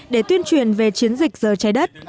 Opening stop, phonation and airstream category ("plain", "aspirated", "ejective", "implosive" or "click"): implosive